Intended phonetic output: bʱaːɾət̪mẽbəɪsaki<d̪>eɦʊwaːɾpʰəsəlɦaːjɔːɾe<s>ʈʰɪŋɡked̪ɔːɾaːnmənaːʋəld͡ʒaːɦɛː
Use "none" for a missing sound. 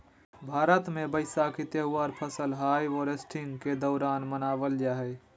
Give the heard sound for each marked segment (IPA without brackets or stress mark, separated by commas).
t̪, s